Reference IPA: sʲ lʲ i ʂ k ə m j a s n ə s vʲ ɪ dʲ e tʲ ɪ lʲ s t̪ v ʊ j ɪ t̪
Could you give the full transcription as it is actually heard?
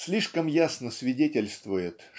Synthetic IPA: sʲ lʲ i ʂ k ə m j a s n ə s vʲ ɪ dʲ e tʲ ɪ lʲ s t̪ v ʊ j ɪ t̪